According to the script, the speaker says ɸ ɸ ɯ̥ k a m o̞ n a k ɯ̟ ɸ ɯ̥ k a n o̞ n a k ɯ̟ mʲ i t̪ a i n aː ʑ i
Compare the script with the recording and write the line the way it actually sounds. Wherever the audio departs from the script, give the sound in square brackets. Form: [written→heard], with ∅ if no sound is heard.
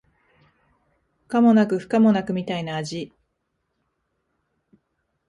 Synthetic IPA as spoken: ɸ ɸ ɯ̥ k a m o̞ n a k ɯ̟ ɸ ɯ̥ k a [n→m] o̞ n a k ɯ̟ mʲ i t̪ a i n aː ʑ i

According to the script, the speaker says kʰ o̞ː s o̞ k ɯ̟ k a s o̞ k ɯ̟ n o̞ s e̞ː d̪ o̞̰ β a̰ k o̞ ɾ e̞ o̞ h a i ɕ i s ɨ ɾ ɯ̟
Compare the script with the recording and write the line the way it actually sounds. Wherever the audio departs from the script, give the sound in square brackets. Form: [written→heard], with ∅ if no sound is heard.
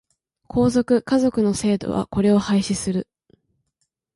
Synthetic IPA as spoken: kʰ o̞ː [s→z] o̞ k ɯ̟ k a [s→z] o̞ k ɯ̟ n o̞ s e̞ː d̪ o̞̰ β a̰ k o̞ ɾ e̞ o̞ h a i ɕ i s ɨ ɾ ɯ̟

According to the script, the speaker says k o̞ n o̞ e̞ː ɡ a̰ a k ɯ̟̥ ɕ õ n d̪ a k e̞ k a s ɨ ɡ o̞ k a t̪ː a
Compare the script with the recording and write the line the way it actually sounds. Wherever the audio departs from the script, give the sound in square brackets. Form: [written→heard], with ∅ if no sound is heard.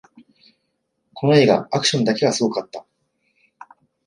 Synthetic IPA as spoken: k o̞ n o̞ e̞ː ɡ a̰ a k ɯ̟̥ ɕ õ n d̪ a k e̞ [k→ɡ] a s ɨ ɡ o̞ k a t̪ː a

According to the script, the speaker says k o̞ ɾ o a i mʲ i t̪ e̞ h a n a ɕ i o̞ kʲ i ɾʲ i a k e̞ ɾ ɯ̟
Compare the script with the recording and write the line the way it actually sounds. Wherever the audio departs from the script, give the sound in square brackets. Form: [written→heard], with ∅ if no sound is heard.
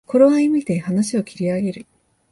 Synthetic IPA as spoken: k o̞ ɾ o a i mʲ i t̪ e̞ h a n a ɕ i o̞ kʲ i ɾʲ i a [k→ɡ] e̞ ɾ ɯ̟

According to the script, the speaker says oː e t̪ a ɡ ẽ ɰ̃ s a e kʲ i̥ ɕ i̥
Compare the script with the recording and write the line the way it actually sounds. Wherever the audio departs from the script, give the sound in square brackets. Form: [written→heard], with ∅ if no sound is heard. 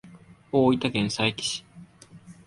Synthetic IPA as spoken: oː [e→i] t̪ a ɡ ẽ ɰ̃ s a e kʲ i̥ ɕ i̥

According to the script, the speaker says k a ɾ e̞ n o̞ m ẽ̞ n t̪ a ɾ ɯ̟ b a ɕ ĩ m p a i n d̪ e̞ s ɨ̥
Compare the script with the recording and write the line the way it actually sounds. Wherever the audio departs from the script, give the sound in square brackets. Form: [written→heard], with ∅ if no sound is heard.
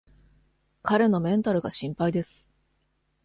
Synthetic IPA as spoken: k a ɾ e̞ n o̞ m ẽ̞ n t̪ a ɾ ɯ̟ [b→ɡ] a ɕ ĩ m p a i [n→∅] d̪ e̞ s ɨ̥

